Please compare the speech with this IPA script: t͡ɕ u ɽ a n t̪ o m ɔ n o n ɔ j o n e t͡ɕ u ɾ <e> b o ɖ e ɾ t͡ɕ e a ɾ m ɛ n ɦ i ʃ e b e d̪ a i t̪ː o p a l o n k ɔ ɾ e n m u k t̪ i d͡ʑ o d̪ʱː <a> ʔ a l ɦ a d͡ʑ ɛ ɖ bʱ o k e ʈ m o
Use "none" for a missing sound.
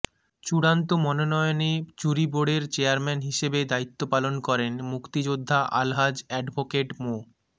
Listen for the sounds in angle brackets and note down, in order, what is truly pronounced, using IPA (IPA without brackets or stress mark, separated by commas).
i, a